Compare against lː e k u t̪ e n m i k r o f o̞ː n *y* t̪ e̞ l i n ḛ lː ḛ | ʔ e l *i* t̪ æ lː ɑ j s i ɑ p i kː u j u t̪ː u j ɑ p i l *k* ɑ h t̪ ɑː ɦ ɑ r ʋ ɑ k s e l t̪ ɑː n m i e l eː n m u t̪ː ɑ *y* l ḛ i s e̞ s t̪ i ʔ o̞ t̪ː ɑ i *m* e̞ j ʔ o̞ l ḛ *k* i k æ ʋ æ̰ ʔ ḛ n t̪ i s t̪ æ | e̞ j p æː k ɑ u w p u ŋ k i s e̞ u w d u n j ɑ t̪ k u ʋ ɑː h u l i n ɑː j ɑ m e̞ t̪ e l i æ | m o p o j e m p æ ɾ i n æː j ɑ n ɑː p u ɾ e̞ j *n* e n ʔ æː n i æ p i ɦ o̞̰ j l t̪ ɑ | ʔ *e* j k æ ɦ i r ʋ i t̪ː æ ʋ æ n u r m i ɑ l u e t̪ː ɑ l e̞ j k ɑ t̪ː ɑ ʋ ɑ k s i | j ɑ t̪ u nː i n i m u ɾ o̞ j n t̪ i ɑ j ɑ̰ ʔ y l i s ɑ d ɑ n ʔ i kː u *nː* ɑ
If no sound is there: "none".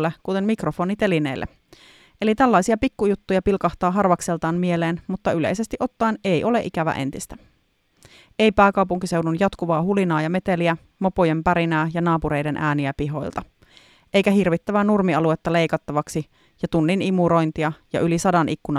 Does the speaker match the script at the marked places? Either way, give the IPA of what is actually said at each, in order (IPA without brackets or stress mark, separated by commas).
i, i, k, y, n, ʔ, d, e, n